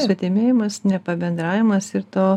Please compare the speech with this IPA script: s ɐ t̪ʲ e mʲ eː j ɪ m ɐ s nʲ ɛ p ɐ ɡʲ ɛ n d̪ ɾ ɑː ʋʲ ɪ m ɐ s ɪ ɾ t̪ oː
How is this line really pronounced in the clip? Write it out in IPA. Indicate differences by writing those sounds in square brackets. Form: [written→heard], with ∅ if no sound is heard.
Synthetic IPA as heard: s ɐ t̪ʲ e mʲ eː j ɪ m ɐ s nʲ ɛ p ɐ [ɡʲ→bʲ] ɛ n d̪ ɾ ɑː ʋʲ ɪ m ɐ s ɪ ɾ t̪ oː